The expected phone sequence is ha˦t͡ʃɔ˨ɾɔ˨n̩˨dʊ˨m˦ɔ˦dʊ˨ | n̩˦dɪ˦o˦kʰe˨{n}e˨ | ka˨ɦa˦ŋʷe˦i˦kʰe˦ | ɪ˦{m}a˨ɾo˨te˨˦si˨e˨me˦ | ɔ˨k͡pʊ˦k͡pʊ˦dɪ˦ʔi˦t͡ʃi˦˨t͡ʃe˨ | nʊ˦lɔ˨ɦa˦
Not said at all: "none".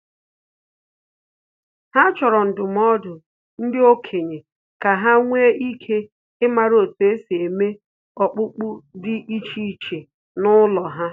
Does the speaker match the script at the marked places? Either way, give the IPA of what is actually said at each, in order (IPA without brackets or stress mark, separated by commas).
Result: ɲ, m